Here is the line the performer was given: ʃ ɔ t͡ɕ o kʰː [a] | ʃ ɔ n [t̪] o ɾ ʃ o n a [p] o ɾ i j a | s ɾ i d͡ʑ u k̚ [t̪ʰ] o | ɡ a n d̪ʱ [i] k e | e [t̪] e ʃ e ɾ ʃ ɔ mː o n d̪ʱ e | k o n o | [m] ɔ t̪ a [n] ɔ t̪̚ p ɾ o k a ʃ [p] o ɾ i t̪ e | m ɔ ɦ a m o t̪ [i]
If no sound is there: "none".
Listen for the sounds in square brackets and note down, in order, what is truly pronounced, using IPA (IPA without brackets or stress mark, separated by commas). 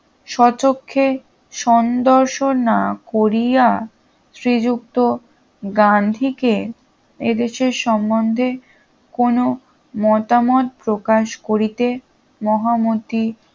e, d̪, k, t̪, i, d̪, m, m, k, i